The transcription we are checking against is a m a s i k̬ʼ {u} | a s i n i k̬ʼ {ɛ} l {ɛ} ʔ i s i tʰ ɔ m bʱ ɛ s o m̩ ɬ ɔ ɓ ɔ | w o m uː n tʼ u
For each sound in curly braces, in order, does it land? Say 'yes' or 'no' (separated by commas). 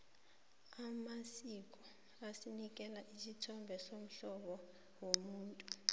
no, yes, no